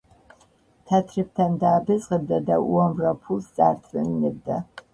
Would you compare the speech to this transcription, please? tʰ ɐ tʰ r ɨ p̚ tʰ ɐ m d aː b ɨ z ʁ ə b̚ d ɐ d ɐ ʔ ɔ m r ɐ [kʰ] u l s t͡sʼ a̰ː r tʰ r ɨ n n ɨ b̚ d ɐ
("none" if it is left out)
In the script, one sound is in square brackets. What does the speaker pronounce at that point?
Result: pʰ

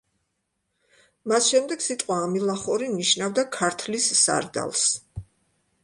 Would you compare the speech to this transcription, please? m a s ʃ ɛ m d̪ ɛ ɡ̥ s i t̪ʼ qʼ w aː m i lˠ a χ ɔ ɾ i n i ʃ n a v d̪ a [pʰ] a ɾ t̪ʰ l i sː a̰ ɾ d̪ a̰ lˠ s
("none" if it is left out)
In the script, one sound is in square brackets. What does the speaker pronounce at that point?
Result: kʰ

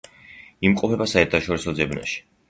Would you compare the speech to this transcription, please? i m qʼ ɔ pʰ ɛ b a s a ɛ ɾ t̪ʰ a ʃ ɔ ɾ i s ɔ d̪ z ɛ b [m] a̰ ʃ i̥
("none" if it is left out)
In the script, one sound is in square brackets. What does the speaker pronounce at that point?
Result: n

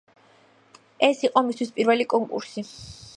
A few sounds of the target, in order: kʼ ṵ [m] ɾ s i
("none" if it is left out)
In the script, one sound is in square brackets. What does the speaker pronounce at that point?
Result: none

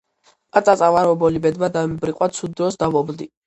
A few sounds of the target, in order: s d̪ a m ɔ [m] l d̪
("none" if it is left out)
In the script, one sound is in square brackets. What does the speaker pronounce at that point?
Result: b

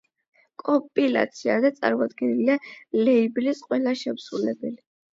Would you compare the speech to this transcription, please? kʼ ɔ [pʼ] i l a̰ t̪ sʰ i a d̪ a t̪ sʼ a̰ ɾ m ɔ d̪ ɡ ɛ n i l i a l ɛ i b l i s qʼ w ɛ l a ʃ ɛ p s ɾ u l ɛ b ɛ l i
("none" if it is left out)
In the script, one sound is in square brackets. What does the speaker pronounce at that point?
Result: pʼ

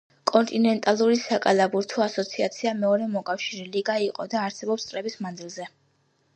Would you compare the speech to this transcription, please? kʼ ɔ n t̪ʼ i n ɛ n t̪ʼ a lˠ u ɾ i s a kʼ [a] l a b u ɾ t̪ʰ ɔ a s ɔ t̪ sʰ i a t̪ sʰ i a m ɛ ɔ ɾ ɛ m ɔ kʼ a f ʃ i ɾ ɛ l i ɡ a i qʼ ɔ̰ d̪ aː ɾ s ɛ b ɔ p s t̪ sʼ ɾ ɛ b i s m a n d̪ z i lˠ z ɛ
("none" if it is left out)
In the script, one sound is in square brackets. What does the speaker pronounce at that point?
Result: a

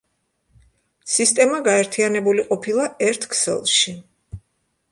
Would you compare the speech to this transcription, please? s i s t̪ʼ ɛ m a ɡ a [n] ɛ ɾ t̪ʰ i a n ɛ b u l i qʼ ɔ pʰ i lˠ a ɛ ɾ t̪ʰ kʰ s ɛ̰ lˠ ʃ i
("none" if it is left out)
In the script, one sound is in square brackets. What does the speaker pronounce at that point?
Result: none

